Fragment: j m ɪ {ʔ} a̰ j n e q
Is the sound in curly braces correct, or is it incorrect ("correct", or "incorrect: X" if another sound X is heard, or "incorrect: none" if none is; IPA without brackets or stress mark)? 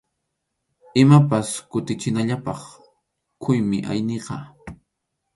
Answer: correct